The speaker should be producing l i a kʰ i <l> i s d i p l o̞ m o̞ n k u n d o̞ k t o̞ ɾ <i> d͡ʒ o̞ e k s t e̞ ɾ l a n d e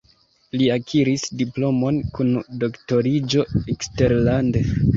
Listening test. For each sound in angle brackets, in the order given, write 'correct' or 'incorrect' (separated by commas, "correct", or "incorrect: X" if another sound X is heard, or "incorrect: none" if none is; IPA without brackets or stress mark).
incorrect: ɾ, correct